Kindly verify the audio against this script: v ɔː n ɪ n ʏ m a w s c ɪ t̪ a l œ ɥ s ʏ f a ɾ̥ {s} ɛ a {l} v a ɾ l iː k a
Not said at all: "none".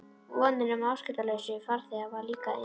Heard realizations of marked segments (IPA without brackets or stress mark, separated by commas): θ, none